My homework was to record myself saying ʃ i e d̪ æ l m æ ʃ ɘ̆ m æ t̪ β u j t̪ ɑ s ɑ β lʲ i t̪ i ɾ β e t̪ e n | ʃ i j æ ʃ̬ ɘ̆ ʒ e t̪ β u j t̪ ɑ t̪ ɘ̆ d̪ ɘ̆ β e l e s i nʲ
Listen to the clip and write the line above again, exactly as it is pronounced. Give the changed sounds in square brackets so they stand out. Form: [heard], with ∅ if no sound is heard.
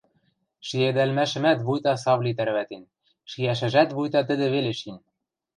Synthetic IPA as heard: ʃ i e d̪ æ l m æ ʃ ɘ̆ m æ t̪ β u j t̪ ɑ s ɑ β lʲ i t̪ [æ] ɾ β [æ] t̪ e n | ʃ i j æ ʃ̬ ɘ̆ ʒ [æ] t̪ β u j t̪ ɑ t̪ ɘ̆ d̪ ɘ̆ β e l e [ʃ] i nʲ